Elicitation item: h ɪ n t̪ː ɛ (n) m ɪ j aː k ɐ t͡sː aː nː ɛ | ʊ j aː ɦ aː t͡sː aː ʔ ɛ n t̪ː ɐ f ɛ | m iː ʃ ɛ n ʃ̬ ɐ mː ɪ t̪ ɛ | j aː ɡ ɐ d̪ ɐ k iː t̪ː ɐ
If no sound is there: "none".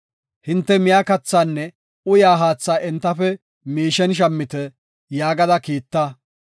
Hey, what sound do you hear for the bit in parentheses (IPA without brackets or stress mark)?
none